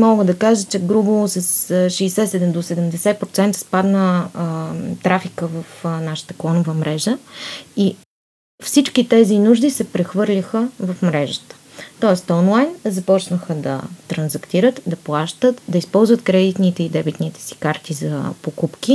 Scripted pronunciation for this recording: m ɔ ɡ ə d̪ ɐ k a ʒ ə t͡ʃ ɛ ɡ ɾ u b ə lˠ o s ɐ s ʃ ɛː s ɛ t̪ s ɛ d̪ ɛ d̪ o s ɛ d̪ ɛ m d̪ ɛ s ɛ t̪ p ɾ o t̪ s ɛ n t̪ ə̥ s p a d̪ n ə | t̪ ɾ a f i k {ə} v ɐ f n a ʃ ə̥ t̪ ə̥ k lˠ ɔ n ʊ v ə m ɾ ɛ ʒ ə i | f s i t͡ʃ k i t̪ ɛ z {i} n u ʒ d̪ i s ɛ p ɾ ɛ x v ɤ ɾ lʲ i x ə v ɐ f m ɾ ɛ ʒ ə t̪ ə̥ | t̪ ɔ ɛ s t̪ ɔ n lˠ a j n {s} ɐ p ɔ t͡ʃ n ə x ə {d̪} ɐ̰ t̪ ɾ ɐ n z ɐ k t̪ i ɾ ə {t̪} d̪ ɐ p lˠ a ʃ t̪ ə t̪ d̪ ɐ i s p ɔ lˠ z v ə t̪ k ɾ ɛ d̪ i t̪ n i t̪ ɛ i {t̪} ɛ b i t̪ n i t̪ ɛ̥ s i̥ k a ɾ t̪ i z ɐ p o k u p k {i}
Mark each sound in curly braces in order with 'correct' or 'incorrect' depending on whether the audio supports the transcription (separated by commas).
correct, correct, incorrect, correct, correct, incorrect, correct